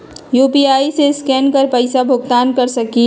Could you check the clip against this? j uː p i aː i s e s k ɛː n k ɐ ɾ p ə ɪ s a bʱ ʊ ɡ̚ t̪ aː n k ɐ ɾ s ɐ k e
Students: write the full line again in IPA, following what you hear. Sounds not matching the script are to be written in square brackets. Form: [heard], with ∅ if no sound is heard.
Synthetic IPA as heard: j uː p i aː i s e s k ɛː n k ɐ ɾ p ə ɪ s a bʱ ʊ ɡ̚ t̪ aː n k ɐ ɾ s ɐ k [i]

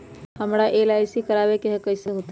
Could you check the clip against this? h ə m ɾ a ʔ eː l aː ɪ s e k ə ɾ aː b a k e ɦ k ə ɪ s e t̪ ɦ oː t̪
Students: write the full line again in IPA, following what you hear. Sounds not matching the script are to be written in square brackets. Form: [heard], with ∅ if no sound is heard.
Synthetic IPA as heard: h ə m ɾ a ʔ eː l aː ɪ s [i] k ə ɾ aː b [e] k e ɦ k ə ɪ s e [∅] ɦ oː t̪

